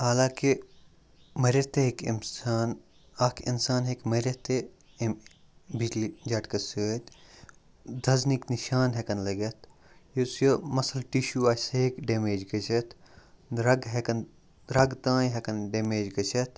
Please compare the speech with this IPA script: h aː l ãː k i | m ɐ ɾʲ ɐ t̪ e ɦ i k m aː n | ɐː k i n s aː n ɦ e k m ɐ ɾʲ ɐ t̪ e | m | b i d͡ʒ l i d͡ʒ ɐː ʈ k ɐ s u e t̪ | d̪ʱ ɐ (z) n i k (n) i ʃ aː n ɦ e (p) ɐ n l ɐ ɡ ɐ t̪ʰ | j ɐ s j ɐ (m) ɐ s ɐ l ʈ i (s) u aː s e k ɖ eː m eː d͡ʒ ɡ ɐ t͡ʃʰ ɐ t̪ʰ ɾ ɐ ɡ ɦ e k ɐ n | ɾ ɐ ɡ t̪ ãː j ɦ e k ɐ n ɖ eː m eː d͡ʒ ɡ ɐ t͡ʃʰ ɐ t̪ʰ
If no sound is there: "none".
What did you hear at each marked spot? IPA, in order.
z, n, k, m, ʃ

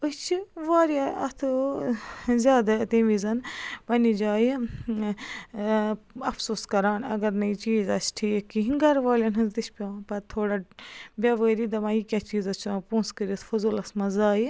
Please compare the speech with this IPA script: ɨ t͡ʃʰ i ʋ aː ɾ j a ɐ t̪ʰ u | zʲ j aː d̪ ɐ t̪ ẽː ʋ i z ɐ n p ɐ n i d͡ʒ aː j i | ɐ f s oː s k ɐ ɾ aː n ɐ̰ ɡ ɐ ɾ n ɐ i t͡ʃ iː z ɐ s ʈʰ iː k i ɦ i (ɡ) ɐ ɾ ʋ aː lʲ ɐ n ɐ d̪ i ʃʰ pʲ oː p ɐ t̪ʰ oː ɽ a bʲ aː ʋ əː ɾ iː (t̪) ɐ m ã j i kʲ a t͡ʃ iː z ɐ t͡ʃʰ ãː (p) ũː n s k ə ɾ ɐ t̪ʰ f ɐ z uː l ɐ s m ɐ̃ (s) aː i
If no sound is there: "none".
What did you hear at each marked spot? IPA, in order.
ɡ, d̪, p, z

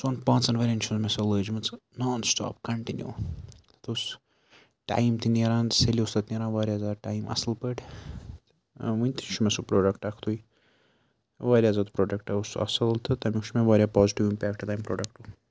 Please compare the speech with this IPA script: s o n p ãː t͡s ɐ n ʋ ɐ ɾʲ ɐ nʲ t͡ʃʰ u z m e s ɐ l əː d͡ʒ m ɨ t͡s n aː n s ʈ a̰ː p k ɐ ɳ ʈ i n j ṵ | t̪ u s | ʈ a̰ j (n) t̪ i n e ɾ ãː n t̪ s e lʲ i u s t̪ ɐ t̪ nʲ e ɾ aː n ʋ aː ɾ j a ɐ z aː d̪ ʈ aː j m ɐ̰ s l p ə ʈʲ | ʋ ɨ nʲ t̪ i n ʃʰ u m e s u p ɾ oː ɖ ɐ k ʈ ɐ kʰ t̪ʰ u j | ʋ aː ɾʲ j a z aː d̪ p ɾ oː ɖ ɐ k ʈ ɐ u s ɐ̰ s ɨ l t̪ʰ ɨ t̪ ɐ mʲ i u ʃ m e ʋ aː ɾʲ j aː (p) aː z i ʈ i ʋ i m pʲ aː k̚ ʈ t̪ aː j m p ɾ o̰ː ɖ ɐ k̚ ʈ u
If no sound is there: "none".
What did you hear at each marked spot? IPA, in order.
m, p

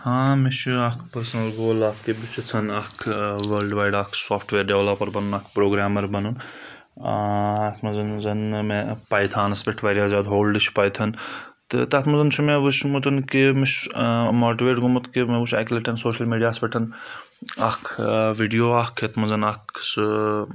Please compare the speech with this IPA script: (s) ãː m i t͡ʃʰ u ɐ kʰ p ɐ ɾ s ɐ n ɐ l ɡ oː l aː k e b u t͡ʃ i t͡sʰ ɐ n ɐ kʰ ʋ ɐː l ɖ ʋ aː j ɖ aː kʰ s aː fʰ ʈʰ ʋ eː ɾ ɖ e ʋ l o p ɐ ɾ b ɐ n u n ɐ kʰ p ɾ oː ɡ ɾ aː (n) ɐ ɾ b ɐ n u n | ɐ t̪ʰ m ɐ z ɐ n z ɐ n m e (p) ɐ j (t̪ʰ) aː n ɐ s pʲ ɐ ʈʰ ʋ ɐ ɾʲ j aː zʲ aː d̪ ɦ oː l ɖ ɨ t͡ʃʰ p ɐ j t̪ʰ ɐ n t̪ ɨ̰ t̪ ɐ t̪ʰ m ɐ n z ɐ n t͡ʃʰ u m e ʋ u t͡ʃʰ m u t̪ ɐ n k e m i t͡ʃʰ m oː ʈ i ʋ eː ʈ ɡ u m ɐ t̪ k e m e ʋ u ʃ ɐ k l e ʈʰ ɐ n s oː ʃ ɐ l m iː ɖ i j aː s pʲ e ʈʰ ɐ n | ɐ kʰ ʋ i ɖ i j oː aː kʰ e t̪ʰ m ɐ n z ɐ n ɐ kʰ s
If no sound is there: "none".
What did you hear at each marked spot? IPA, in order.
h, m, p, t̪ʰ

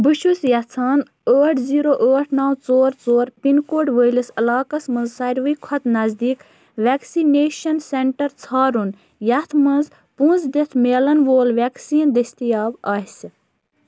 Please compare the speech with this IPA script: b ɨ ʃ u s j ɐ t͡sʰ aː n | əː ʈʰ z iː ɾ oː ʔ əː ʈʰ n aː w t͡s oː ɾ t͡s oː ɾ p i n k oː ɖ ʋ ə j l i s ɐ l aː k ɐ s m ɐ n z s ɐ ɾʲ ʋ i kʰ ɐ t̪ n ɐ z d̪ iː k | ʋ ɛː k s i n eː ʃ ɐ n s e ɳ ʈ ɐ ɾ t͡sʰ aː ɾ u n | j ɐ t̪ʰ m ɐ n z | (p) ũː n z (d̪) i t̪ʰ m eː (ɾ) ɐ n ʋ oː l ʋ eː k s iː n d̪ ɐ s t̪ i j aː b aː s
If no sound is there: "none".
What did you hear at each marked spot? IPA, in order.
p, d̪, l

